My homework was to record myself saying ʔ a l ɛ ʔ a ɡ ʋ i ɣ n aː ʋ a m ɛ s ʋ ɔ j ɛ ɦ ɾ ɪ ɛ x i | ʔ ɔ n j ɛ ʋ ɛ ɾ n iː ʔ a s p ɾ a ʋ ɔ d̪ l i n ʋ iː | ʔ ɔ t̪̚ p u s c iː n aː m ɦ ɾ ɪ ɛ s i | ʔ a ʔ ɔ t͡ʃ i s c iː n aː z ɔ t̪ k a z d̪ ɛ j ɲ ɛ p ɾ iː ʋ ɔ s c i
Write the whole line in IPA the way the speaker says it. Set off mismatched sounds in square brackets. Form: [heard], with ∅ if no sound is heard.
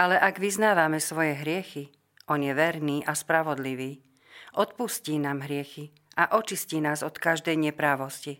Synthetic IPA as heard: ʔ a l ɛ ʔ a ɡ ʋ i [z] n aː ʋ a m ɛ s ʋ ɔ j ɛ ɦ ɾ ɪ ɛ x i | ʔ ɔ n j ɛ ʋ ɛ ɾ n iː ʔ a s p ɾ a ʋ ɔ d̪ l i [∅] ʋ iː | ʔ ɔ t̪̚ p u s c iː n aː m ɦ ɾ ɪ ɛ [x] i | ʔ a ʔ ɔ t͡ʃ i s c iː n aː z ɔ t̪ k a [ʒ] d̪ ɛ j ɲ ɛ p ɾ [aː] ʋ ɔ s c i